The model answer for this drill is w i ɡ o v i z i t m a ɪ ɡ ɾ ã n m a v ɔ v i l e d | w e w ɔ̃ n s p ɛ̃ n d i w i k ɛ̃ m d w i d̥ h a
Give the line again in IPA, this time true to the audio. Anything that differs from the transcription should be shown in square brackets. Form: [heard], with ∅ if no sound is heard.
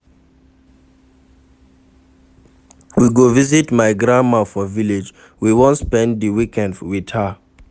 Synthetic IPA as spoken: w i ɡ o v i z i t m a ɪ ɡ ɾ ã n m a [f] ɔ v i l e [d͡ʒ] | w [i] w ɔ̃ n s p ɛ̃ n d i w i k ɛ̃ [n] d w i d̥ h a